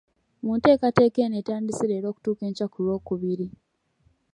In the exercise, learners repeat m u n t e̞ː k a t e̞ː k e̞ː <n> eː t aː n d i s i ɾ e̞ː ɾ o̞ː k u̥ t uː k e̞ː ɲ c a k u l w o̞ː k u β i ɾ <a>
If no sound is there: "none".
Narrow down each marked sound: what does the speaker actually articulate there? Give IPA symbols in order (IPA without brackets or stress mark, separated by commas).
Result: n, i